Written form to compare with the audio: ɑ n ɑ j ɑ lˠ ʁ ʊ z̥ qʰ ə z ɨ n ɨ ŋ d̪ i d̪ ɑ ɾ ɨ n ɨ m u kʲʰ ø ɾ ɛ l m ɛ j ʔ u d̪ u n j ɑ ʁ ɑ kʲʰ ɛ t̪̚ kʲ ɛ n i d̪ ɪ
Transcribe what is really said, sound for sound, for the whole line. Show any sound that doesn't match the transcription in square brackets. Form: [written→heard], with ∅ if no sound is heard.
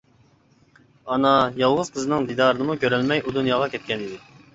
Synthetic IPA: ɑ n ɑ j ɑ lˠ ʁ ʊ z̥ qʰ ə z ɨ n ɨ ŋ d̪ i d̪ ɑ ɾ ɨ n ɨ m u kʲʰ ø ɾ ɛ l m ɛ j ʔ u d̪ u n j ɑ ʁ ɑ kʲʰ ɛ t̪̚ kʲ ɛ n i d̪ ɪ